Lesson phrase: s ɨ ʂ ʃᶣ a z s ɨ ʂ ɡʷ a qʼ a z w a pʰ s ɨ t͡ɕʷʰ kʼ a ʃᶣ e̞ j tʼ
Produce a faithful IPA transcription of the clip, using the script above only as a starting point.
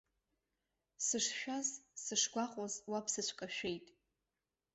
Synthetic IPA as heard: s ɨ ʂ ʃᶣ a z s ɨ ʂ ɡʷ a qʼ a z w a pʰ s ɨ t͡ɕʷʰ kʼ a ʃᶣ e̞ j tʼ